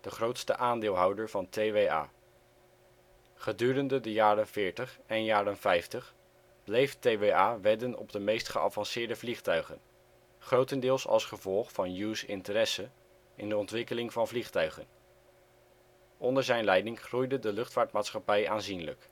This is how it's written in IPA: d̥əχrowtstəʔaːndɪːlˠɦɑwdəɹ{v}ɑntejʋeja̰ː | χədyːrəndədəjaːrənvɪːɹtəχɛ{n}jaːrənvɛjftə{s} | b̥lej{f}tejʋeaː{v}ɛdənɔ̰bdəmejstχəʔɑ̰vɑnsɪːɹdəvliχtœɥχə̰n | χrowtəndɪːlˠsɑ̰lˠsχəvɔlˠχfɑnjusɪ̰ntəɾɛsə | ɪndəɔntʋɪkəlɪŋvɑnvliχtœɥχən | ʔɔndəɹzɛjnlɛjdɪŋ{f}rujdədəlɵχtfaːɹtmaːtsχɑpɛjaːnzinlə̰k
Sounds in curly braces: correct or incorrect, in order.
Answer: correct, correct, incorrect: χ, correct, incorrect: ʋ, incorrect: χ

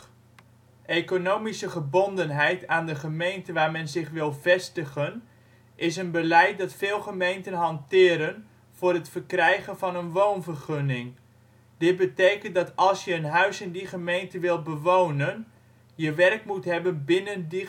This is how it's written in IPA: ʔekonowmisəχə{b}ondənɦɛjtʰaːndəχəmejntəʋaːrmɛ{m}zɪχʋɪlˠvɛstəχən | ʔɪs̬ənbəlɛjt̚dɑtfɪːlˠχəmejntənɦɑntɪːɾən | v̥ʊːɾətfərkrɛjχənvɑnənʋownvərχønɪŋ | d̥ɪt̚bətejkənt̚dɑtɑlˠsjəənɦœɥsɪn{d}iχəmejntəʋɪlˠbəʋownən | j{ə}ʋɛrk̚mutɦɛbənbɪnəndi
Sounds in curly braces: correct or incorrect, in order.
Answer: correct, incorrect: n, correct, correct

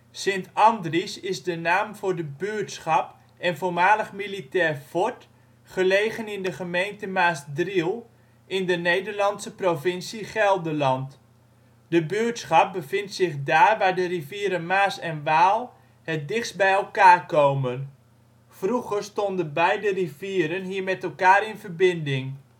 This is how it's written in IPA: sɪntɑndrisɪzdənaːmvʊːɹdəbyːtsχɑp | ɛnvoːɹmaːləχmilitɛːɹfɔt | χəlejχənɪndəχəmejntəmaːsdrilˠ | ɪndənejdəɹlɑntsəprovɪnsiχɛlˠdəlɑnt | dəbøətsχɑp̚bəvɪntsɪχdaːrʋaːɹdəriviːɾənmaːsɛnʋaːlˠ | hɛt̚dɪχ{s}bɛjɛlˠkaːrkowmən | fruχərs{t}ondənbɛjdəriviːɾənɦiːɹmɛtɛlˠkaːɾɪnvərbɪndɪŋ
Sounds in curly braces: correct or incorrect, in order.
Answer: correct, correct

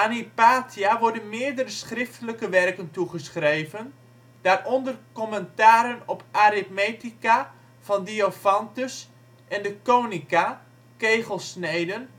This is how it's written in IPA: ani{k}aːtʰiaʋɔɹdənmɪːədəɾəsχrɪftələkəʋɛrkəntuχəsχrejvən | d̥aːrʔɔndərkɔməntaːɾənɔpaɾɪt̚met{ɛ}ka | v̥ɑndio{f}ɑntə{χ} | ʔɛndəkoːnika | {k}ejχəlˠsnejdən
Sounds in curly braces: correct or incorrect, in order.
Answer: incorrect: p, incorrect: i, correct, incorrect: s, correct

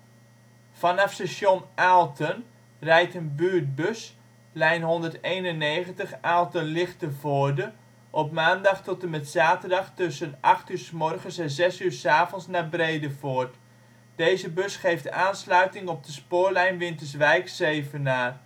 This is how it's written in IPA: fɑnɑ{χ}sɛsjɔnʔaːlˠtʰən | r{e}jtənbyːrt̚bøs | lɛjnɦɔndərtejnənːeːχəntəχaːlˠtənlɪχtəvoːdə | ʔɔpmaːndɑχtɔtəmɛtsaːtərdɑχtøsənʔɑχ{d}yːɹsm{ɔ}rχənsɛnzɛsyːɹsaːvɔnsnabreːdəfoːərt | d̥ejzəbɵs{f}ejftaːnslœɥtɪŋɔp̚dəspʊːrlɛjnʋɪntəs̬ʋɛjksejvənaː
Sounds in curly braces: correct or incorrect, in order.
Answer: incorrect: f, incorrect: ɛ, incorrect: t, correct, incorrect: χ

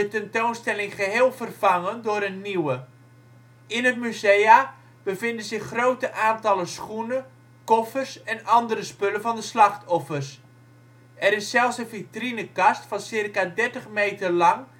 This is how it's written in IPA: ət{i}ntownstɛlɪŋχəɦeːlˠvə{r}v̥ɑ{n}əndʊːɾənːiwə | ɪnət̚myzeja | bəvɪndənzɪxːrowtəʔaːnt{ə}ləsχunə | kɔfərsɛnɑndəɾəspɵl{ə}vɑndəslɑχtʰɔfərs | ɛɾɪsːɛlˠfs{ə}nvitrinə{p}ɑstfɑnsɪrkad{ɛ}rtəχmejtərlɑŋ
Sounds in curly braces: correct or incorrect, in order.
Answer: incorrect: ɛ, correct, incorrect: ŋ, incorrect: ɑ, correct, correct, incorrect: k, correct

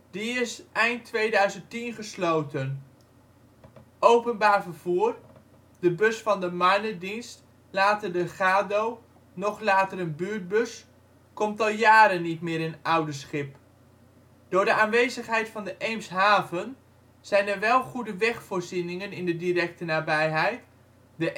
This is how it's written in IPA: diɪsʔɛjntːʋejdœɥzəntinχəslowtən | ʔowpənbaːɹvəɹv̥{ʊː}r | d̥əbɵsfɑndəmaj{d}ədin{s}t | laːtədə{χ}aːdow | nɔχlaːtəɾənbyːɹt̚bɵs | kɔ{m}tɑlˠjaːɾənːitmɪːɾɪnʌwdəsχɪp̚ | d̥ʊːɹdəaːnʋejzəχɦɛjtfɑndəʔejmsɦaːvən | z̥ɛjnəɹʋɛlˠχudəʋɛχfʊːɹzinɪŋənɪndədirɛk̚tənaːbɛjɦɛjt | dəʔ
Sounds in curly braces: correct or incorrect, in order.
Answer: incorrect: uː, incorrect: n, correct, correct, correct

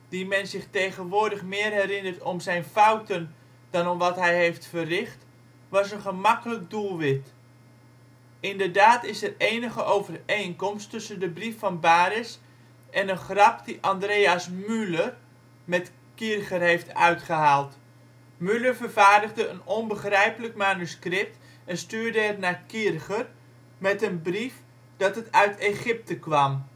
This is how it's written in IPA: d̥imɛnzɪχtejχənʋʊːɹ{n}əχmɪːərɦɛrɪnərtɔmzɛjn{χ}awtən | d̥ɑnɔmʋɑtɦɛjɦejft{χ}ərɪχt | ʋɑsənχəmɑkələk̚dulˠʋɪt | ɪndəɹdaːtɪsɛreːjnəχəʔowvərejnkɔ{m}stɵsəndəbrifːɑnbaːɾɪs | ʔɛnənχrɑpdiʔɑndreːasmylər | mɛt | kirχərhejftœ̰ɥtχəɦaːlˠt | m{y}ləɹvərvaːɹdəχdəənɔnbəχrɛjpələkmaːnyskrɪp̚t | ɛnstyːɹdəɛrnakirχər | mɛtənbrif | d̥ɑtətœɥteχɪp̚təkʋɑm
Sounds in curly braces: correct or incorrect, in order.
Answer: incorrect: d, incorrect: f, incorrect: f, correct, correct

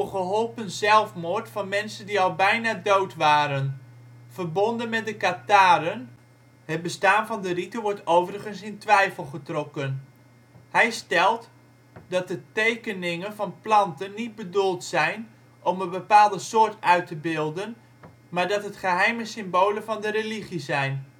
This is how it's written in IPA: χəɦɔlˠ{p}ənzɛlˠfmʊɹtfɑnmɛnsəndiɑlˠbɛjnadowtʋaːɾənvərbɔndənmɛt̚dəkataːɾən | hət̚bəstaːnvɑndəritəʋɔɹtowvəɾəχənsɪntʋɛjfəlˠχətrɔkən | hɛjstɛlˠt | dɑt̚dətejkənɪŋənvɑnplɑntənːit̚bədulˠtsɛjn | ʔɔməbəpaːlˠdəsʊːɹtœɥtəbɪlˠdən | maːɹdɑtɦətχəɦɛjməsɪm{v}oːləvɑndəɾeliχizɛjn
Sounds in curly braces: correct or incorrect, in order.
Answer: correct, incorrect: b

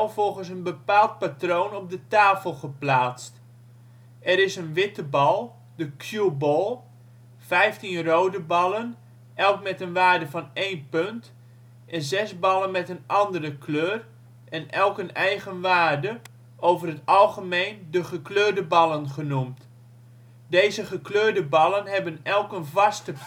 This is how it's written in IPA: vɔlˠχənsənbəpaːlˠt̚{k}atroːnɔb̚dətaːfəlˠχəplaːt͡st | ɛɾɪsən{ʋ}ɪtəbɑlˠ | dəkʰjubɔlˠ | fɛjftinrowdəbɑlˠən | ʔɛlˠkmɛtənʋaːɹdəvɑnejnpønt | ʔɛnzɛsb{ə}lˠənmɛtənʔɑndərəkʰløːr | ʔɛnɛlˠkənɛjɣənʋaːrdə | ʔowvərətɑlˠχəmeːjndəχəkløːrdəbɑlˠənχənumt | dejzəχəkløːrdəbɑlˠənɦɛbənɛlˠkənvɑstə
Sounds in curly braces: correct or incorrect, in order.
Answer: incorrect: p, correct, incorrect: ɑ

